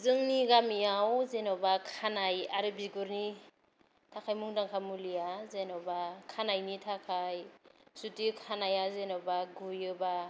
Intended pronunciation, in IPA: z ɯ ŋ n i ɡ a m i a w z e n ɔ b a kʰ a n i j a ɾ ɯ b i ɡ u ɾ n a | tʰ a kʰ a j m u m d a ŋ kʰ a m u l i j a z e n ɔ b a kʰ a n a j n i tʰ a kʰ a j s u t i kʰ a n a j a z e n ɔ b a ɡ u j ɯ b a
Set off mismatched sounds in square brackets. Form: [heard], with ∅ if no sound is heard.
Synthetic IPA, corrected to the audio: z ɯ ŋ n i ɡ a m i a w z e n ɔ b a kʰ a n [a] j a ɾ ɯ b i ɡ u ɾ n [i] | tʰ a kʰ a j m u [ŋ] d a ŋ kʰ a m u l i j a z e n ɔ b a kʰ a n a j n i tʰ a kʰ a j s u t i kʰ a n a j a z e n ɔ b a ɡ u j ɯ b a